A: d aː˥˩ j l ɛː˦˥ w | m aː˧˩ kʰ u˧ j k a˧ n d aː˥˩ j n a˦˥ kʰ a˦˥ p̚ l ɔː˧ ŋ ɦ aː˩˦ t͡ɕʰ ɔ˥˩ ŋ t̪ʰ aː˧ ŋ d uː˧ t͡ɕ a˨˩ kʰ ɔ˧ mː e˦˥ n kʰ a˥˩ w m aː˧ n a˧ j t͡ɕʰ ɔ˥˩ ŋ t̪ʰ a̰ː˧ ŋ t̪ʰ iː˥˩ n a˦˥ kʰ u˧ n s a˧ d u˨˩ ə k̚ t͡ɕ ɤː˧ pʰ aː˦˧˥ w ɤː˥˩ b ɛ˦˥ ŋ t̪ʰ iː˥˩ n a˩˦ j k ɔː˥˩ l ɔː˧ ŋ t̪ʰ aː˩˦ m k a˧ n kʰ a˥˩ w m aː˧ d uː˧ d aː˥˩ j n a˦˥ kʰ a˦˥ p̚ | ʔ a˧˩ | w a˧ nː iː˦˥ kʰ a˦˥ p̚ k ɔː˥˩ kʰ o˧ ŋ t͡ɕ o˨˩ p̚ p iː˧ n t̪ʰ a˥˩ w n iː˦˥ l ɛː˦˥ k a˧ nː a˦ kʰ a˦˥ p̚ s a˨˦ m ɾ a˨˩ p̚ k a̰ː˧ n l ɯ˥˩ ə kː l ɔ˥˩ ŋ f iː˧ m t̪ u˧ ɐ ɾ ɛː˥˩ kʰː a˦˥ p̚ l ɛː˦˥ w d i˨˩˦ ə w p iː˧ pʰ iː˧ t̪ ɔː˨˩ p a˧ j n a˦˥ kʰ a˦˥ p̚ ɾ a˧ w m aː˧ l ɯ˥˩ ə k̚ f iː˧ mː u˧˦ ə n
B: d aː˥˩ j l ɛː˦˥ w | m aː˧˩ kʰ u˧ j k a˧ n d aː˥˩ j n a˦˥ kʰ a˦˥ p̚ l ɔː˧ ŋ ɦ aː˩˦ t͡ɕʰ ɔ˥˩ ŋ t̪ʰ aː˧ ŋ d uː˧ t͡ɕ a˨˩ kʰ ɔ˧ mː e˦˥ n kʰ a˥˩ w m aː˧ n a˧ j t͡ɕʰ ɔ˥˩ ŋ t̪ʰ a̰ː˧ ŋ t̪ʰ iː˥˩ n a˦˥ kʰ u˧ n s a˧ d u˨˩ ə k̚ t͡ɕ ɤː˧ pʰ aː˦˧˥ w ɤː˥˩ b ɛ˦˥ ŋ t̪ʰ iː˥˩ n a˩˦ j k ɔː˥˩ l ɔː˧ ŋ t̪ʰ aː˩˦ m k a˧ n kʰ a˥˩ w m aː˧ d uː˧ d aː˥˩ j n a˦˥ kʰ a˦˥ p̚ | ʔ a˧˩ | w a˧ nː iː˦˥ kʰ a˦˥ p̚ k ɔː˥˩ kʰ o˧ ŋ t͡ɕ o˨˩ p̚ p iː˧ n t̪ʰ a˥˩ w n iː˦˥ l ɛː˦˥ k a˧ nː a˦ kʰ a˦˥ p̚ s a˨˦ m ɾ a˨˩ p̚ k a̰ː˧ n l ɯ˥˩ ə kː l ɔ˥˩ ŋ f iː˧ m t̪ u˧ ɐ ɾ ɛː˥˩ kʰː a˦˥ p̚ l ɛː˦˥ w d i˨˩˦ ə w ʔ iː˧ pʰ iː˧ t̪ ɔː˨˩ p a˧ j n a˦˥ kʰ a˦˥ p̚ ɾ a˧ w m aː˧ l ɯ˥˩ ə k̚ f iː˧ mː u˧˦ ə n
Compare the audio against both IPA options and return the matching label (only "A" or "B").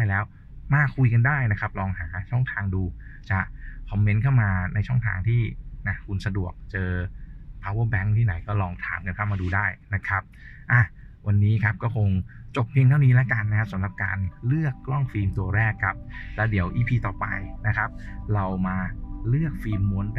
B